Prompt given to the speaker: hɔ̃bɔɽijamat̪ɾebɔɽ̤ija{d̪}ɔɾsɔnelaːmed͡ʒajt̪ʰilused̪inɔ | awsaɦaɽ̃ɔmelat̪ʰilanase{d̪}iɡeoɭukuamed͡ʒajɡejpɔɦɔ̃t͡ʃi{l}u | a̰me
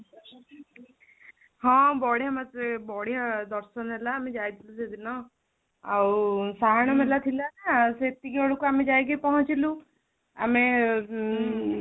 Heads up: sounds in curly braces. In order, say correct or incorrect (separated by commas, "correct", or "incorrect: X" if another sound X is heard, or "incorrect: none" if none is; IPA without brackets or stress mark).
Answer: correct, incorrect: t̪, correct